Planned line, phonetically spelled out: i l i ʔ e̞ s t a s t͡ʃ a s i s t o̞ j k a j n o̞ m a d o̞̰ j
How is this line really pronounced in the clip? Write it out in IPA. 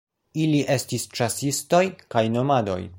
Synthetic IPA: i l i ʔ e̞ s t i s t͡ʃ a s i s t o̞ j k a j n o̞ m a d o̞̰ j